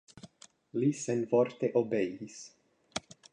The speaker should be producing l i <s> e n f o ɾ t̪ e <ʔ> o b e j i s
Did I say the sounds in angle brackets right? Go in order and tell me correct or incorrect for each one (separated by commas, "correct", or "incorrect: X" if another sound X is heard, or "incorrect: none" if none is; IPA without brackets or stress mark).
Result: correct, correct